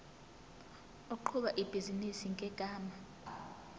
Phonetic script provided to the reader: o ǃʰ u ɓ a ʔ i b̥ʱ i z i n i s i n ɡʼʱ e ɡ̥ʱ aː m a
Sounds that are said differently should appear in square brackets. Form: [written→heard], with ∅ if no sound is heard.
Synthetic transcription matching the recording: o ǃʰ u ɓ a ʔ i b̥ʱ i z i n i s i [n→ŋ] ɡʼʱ [e→ɛ] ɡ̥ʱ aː m a